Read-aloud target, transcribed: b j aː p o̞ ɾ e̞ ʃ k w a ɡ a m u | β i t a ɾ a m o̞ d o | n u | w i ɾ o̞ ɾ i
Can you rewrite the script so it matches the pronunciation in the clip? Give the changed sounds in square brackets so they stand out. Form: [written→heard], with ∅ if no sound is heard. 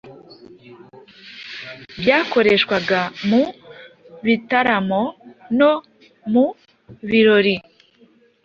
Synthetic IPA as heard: b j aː [p→k] o̞ ɾ e̞ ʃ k w a ɡ a m u | β i t a ɾ a m o̞ [d→n] o | [n→m] u | [w→β] i ɾ o̞ ɾ i